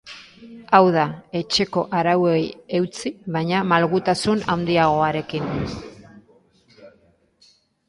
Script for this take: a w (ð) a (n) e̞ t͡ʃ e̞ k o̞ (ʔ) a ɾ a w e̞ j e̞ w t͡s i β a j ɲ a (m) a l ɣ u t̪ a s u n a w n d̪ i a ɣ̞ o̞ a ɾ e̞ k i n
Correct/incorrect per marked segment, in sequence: correct, incorrect: none, correct, correct

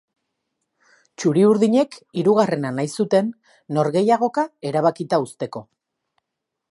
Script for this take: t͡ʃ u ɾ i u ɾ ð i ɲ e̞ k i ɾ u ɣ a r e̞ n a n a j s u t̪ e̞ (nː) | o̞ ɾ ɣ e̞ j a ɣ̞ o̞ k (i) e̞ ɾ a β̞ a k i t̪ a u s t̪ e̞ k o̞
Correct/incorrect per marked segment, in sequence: correct, incorrect: a

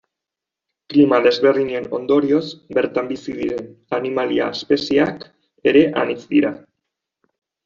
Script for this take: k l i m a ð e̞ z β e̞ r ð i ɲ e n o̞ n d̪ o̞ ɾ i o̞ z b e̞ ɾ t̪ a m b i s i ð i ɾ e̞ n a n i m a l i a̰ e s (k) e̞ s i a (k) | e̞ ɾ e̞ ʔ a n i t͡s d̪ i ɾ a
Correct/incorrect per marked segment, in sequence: incorrect: p, correct

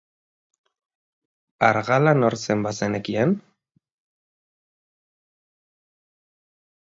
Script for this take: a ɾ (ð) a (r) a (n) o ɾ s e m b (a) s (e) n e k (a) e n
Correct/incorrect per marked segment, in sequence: incorrect: ɣ, incorrect: l, correct, correct, correct, incorrect: i

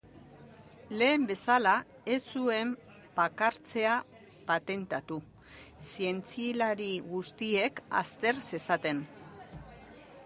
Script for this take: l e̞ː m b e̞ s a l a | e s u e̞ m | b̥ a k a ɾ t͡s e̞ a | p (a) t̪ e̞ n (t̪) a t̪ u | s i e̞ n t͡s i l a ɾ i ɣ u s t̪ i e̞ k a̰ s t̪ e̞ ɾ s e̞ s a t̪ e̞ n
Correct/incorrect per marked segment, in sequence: correct, correct

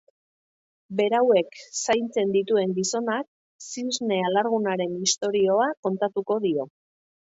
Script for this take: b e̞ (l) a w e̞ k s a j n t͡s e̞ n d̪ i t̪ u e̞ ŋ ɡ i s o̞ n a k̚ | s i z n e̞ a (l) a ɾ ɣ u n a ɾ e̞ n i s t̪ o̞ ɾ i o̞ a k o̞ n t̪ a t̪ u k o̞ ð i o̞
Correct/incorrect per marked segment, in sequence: incorrect: ɾ, correct

